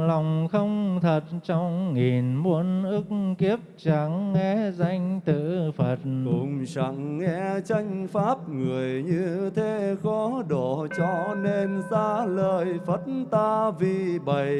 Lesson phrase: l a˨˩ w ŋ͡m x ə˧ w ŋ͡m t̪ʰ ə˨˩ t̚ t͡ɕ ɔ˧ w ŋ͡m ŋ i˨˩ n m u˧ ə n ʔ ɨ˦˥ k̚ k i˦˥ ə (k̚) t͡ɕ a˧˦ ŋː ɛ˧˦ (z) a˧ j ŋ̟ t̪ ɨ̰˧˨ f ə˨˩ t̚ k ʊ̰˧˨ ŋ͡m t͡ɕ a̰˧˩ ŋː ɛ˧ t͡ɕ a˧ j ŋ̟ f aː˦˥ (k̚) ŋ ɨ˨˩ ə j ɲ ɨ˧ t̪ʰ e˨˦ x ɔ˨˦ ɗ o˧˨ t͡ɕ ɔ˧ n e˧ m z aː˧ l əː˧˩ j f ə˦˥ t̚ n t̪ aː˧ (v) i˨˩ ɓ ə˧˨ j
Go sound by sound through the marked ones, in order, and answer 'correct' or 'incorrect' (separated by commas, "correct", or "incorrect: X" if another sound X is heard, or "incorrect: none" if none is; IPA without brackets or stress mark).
incorrect: p̚, correct, incorrect: p̚, correct